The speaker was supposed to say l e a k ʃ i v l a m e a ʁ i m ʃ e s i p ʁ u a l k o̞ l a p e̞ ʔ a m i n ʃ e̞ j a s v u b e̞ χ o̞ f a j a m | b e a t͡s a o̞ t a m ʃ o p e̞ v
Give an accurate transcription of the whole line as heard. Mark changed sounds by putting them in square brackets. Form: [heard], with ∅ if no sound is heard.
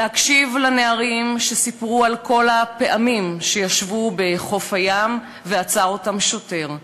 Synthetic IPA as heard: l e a k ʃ i v l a [n] e a ʁ i m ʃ e s i p ʁ u a l k o̞ l a p e̞ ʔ a m i [m] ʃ e̞ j a [ʃ] v u b e̞ χ o̞ f a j a m | [v] e a t͡s a o̞ t a m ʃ o [t] e̞ [ʁ]